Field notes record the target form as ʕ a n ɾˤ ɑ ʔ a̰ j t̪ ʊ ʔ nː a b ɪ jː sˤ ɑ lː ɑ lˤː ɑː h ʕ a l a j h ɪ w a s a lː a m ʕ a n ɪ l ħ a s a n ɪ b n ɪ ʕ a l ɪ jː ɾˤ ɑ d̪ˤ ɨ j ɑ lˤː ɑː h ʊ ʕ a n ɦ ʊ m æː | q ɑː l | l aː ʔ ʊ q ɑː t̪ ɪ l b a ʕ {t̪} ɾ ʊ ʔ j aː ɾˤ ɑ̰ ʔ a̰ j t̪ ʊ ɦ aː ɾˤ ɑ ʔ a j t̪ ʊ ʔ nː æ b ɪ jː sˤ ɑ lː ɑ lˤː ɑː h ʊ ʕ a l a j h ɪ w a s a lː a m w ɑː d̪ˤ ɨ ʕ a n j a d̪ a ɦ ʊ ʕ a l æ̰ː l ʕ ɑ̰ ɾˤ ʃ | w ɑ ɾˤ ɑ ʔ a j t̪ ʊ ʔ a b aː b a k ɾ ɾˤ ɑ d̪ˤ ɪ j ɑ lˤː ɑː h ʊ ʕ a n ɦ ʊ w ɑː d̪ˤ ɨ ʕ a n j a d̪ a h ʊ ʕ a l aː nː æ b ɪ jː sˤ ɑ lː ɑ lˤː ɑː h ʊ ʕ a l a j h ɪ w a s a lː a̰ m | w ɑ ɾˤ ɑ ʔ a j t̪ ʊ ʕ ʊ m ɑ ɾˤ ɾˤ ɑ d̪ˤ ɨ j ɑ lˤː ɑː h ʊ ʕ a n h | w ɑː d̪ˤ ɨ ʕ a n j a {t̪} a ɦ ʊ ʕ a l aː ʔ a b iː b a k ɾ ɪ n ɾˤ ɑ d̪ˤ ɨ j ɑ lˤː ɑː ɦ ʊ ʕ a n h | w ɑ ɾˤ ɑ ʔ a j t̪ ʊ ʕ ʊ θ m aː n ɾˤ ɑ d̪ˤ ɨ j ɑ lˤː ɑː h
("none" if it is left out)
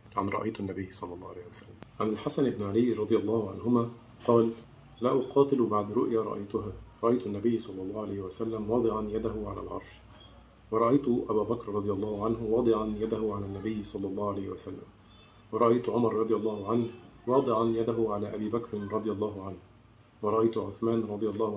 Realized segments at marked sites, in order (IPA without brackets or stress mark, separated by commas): d̪, d̪